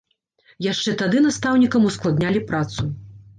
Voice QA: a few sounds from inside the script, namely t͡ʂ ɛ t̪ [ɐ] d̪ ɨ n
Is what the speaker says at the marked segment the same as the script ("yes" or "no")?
no